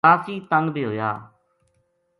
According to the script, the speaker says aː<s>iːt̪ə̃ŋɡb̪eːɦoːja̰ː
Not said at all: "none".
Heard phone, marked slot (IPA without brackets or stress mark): s